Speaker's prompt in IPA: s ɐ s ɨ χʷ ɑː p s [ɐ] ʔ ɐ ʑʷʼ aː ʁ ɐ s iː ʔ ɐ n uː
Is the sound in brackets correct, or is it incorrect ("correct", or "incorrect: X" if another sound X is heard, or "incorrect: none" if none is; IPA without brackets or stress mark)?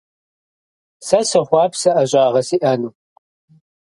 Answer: correct